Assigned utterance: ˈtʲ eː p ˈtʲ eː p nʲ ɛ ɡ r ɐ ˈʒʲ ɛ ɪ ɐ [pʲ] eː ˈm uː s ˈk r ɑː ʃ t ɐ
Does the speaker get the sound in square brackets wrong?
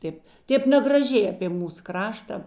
no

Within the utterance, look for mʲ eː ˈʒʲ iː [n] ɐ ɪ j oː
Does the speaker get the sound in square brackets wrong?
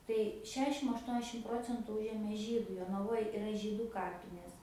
yes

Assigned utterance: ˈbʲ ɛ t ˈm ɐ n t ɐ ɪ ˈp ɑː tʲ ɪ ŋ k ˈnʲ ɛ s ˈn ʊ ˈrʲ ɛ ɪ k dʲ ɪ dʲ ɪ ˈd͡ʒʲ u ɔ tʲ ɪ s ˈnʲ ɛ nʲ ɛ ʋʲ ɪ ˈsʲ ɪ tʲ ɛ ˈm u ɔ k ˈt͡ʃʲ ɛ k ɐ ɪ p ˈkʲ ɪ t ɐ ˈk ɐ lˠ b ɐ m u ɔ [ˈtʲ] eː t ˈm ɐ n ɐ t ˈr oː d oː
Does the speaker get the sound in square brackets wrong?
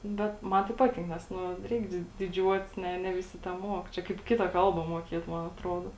yes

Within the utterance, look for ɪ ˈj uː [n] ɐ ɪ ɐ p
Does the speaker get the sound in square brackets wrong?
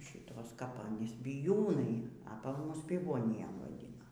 no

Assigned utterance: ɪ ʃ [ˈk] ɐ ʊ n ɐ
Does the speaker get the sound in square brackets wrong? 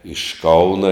no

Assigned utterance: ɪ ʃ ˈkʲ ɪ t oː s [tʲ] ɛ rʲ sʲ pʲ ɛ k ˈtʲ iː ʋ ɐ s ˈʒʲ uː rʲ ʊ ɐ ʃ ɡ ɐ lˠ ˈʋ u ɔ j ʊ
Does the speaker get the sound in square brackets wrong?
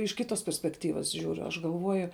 yes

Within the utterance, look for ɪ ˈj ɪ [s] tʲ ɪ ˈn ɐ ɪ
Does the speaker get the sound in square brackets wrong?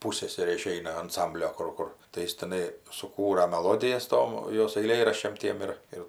no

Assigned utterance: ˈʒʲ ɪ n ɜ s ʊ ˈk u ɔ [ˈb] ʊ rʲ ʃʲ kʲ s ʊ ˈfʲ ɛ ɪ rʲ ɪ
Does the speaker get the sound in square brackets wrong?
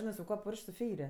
yes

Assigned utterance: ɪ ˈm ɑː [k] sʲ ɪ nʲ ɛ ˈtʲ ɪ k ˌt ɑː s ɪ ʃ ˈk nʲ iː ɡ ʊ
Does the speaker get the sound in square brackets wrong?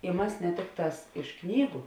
yes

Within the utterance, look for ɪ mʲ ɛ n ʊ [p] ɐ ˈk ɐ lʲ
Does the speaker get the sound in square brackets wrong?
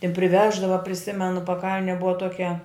no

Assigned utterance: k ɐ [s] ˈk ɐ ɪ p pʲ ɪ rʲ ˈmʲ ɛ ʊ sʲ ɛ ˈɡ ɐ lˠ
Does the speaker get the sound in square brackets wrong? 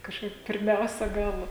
yes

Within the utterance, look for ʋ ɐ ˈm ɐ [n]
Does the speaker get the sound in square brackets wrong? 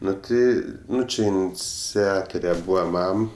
yes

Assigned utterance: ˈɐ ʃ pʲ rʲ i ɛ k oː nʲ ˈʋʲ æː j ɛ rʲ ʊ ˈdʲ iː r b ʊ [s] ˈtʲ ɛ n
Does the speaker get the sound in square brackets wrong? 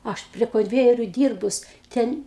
no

